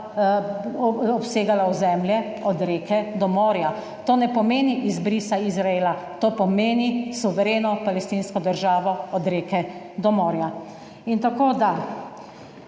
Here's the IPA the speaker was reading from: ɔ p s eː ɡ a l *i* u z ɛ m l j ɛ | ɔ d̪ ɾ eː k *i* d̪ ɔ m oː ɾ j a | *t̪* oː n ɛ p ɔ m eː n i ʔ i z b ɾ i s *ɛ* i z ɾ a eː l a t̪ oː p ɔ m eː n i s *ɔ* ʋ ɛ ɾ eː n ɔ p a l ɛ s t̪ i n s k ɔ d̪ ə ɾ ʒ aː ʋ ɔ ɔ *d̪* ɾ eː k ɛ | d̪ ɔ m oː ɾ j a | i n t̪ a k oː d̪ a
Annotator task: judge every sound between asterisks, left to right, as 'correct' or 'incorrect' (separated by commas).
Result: incorrect, incorrect, correct, incorrect, incorrect, correct